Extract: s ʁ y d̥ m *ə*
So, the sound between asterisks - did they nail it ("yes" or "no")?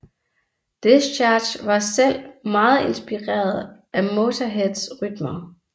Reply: no